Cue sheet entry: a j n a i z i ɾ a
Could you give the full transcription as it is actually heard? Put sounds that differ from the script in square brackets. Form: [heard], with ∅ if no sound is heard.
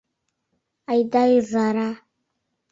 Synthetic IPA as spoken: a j [d] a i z [a] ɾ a